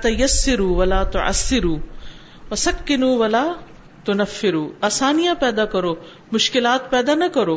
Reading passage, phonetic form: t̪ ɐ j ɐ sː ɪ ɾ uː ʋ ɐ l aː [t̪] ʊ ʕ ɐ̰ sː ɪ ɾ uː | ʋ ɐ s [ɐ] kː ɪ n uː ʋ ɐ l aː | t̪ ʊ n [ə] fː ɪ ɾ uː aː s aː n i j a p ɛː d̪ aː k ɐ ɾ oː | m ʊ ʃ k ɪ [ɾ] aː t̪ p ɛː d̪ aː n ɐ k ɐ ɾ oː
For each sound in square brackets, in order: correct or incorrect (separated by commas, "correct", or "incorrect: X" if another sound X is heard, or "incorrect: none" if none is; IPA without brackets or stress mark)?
correct, correct, incorrect: ɐ, incorrect: l